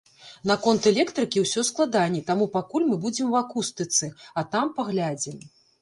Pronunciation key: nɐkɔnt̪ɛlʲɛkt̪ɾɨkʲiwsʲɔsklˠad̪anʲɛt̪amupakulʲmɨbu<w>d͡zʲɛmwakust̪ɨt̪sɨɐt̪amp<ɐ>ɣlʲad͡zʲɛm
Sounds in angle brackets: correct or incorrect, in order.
incorrect: none, incorrect: a

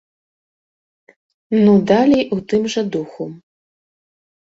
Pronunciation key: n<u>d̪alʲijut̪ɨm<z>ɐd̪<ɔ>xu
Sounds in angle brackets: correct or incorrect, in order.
correct, incorrect: ʐ, incorrect: u

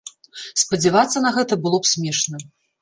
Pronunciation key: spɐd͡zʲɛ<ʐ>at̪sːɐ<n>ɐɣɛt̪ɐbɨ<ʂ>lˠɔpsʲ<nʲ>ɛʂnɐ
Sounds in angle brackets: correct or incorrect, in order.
incorrect: v, correct, incorrect: none, incorrect: mʲ

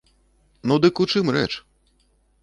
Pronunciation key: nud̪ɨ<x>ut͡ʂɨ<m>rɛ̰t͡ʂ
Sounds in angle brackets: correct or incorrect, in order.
incorrect: k, correct

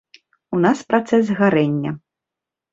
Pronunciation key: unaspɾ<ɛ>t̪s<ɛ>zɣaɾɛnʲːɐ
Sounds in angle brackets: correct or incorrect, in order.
incorrect: a, correct

